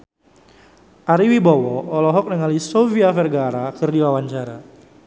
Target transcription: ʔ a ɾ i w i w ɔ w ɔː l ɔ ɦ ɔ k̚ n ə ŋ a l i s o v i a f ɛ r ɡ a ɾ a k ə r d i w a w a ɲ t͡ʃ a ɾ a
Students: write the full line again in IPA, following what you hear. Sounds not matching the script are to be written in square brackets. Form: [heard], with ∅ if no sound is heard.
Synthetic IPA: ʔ a ɾ i w i [b] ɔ w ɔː l ɔ ɦ ɔ k̚ n ə ŋ a l i s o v i a f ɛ r ɡ a ɾ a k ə r d i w a w a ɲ t͡ʃ a ɾ a